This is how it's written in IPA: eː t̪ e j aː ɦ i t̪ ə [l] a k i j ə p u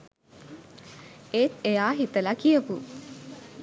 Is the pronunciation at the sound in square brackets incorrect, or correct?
correct